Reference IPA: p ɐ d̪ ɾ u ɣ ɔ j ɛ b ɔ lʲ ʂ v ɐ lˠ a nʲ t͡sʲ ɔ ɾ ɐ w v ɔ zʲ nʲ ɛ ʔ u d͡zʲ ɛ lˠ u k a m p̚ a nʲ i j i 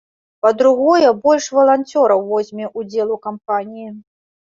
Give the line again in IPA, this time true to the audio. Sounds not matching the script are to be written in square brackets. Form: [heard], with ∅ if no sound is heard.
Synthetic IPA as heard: p ɐ d̪ ɾ u ɣ ɔ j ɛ b ɔ lʲ ʂ v ɐ lˠ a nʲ t͡sʲ ɔ ɾ ɐ w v ɔ zʲ [mʲ] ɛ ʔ u d͡zʲ ɛ lˠ u k a m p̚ a nʲ i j i

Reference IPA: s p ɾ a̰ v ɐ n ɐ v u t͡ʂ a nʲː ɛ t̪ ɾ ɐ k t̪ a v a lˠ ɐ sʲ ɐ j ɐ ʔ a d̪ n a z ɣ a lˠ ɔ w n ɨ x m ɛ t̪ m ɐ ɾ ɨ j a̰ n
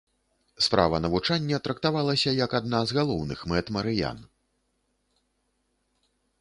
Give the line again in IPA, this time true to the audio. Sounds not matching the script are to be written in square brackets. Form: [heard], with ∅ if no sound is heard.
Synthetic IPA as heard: s p ɾ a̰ v ɐ n ɐ v u t͡ʂ a nʲː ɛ t̪ ɾ ɐ k t̪ a v a lˠ ɐ sʲ ɐ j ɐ [k] a d̪ n a z ɣ a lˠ ɔ w n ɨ x m ɛ t̪ m ɐ ɾ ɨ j a̰ n

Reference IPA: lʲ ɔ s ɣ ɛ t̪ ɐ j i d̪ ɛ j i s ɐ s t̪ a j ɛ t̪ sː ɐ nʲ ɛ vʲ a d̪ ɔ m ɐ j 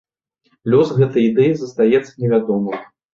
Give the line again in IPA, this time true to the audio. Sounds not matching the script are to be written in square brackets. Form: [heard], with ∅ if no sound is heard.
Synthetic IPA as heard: lʲ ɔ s ɣ ɛ t̪ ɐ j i d̪ ɛ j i [z] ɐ s t̪ a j ɛ t̪ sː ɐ nʲ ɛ vʲ a d̪ ɔ m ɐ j

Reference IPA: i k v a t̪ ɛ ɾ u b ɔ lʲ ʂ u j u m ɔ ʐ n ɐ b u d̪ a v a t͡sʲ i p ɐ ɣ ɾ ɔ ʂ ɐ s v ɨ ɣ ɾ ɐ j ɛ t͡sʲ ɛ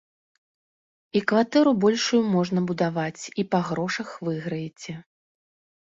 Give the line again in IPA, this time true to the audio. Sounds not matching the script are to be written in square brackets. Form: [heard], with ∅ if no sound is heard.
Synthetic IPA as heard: i k v a t̪ ɛ ɾ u b ɔ lʲ ʂ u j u m ɔ ʐ n ɐ b u d̪ a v a t͡sʲ i p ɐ ɣ ɾ ɔ ʂ ɐ [x] v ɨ ɣ ɾ ɐ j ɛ t͡sʲ ɛ

